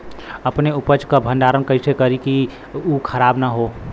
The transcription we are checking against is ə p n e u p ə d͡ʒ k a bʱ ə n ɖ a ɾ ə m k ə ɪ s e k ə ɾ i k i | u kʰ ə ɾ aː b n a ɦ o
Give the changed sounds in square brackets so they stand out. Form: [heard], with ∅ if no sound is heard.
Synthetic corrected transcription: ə p n e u p ə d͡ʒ k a bʱ ə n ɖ a ɾ ə [n] k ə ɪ s e k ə ɾ i k i | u kʰ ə ɾ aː b n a ɦ o

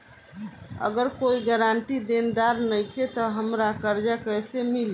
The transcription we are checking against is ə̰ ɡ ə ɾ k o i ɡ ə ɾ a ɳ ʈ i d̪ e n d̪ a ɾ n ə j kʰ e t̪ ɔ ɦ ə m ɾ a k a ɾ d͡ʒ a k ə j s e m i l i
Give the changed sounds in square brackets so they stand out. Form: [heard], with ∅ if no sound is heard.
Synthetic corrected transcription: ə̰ ɡ ə ɾ k o i ɡ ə ɾ a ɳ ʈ i d̪ e n d̪ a ɾ n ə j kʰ e t̪ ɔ ɦ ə m ɾ a k [ə] ɾ d͡ʒ a k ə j s e m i l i

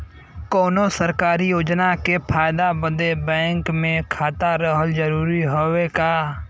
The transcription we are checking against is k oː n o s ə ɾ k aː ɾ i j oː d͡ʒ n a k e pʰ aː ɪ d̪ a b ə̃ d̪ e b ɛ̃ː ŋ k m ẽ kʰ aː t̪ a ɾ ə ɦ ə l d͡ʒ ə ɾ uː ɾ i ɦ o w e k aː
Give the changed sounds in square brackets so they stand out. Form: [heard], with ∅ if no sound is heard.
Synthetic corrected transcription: k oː n o s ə ɾ k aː ɾ i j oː d͡ʒ n a k e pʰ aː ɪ d̪ a b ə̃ d̪ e b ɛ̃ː ŋ k m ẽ kʰ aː t̪ a ɾ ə ɦ ə l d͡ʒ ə ɾ uː ɾ i ɦ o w e k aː

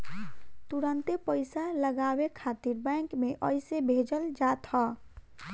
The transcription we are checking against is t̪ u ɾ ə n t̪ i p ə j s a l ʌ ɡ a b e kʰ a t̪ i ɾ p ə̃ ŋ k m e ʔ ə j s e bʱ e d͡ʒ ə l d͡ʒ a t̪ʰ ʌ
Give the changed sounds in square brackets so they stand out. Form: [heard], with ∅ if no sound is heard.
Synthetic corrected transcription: t̪ u ɾ ə n t̪ [e] p ə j s a l [ə] ɡ a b e kʰ a t̪ i ɾ [b] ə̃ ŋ k m e ʔ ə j s e bʱ e d͡ʒ ə l d͡ʒ a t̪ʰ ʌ

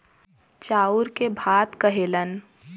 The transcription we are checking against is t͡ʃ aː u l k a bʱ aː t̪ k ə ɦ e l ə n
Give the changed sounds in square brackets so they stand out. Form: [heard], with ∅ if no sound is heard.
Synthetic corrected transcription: t͡ʃ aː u [ɾ] k [e] bʱ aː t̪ k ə ɦ e l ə n

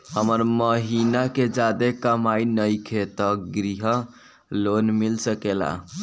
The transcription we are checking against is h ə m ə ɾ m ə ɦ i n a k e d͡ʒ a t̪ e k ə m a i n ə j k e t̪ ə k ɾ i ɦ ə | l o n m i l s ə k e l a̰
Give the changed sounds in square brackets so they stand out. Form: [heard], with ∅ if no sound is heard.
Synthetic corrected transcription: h ə m ə ɾ m ə ɦ i n a k e d͡ʒ a [d̪] e k ə m a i n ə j [kʰ] e t̪ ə [ɡ] ɾ i ɦ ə | l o n m i l s ə k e l a̰

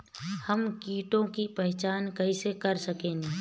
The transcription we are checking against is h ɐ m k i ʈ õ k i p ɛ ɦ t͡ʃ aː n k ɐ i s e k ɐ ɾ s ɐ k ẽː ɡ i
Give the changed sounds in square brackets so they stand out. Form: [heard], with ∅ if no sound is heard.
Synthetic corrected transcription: h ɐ m k [iː] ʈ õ k i p ɛ ɦ t͡ʃ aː n k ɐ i s e k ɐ ɾ s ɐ k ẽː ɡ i

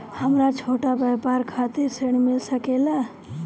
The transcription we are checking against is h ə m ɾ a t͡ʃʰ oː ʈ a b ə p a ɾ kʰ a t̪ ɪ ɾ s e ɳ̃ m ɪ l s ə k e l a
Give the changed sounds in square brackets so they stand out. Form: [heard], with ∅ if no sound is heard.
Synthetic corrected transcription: h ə m ɾ a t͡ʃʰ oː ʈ a b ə p a ɾ kʰ a t̪ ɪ ɾ s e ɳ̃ m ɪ l s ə k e l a

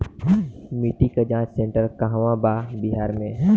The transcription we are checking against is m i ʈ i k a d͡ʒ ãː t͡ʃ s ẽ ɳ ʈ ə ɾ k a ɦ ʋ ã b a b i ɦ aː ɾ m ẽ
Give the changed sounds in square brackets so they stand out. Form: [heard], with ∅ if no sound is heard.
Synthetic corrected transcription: m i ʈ i k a d͡ʒ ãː t͡ʃ s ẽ ɳ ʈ ə ɾ k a ɦ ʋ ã b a b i ɦ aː ɾ m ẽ

